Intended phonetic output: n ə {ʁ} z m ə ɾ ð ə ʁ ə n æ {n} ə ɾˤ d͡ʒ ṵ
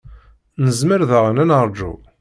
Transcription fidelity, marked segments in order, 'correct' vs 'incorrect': incorrect: none, correct

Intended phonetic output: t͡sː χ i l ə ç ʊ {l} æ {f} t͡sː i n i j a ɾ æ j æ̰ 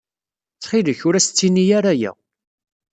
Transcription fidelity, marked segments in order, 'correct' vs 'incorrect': incorrect: ɾ, incorrect: s

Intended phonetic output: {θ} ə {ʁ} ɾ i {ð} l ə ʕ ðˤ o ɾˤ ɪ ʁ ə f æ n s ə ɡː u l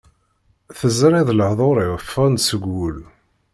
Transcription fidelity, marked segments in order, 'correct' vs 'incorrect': correct, incorrect: z, correct

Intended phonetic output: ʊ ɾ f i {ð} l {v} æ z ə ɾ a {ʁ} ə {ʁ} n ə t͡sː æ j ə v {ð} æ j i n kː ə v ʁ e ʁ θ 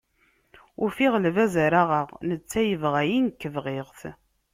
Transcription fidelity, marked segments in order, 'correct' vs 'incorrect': incorrect: ʁ, correct, correct, correct, incorrect: ʁ

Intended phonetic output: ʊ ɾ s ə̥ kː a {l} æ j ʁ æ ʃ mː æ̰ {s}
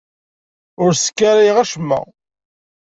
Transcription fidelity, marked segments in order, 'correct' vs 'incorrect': incorrect: ɾ, incorrect: none

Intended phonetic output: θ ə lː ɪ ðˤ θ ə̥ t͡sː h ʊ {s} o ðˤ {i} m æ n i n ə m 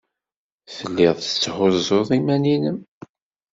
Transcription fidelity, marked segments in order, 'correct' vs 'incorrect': incorrect: z, correct

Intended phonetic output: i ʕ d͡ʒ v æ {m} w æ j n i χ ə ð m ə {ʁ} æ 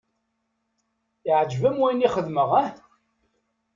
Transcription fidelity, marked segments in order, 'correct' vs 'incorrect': correct, correct

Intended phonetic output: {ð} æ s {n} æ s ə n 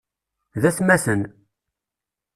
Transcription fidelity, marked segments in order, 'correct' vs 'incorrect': correct, incorrect: m

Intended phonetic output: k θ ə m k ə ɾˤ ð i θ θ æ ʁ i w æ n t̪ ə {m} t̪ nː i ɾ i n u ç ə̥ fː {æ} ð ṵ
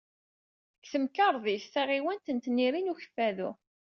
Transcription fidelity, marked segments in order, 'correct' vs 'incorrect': incorrect: n, correct

